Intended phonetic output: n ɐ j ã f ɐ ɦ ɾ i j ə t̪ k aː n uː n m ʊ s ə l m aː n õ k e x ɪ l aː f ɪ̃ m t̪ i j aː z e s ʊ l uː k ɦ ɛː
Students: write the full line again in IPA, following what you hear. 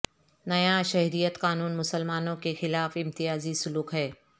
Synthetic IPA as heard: n ɐ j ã ʃ ɐ ɦ ɾ i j ə t̪ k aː n uː n m ʊ s ə l m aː n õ k e x ɪ l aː f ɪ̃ m t̪ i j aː z i s ʊ l uː k ɦ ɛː

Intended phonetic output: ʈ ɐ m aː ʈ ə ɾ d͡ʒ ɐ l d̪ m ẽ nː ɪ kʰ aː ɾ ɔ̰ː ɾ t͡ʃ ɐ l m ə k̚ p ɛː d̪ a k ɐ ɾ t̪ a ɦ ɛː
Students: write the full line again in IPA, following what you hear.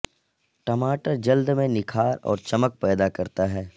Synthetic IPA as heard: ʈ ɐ m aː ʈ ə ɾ d͡ʒ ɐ l d̪ m ẽ n ɪ kʰ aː ɾ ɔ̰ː ɾ t͡ʃ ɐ m ə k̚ p ɛː d̪ a k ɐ ɾ t̪ a ɦ ɛː

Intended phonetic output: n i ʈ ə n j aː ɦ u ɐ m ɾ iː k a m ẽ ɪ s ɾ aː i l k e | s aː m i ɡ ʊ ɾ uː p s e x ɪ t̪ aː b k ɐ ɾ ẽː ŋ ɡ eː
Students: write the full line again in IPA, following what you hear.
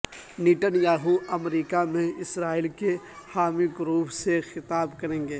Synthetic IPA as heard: n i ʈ ə n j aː ɦ u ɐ m ɾ iː k a m ẽ ɪ s ɾ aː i l k e | h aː m i ɡ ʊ ɾ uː p s e x ɪ t̪ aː b k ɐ ɾ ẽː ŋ ɡ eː

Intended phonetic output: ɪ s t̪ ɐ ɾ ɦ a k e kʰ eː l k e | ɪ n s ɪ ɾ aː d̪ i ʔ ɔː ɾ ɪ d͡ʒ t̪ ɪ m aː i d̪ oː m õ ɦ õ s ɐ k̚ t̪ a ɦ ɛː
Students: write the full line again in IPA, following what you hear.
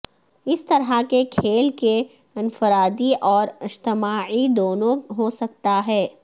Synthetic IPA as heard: ɪ s t̪ ɐ ɾ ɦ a k e kʰ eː l k e | ɪ n f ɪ ɾ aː d̪ i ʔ ɔː ɾ ɪ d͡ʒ t̪ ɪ m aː i d̪ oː n õ ɦ o s ɐ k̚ t̪ a ɦ ɛː

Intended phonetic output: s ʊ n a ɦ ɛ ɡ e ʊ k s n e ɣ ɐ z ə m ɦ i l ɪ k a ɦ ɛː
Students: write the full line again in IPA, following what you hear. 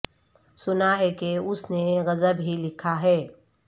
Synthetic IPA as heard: s ʊ n a ɦ ɛ k e ʊ s n e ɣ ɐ z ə b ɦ i l ɪ kʰ a ɦ ɛː

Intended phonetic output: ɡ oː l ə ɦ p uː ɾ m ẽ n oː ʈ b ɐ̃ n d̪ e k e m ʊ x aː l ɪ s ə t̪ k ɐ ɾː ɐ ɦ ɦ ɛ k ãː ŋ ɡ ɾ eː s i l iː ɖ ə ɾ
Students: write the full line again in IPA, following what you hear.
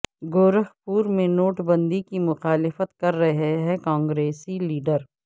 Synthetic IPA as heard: ɡ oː ɾ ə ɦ p uː ɾ m ẽ n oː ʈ b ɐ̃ n d̪ i k i m ʊ x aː l ɪ f ə t̪ k ɐ ɾː ɐ ɦ ɦ ɛ k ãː ŋ ɡ ɾ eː s i l iː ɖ ə ɾ

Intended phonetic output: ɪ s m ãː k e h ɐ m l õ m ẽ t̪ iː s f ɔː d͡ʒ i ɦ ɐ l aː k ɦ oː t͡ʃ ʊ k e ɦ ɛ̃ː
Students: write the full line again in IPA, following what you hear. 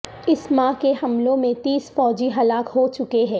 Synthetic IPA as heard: ɪ s m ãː k e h ɐ m l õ m ẽ t̪ iː s f ɔː d͡ʒ i ɦ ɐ l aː k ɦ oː t͡ʃ ʊ k e ɦ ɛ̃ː

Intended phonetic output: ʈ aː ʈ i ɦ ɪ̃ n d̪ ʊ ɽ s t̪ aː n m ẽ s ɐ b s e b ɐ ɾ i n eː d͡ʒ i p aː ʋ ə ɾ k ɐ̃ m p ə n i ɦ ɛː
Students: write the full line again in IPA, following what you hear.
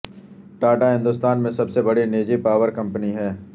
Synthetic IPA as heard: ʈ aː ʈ a ɦ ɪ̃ n d̪ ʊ s t̪ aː n m ẽ s ɐ b s e b ɐ ɽ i n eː d͡ʒ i p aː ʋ ə ɾ k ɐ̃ m p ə n i ɦ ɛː

